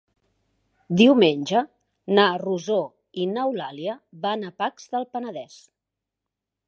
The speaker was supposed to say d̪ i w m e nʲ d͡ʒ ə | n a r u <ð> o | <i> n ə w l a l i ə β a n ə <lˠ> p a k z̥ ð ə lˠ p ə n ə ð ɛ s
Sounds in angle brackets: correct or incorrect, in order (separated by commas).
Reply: incorrect, correct, incorrect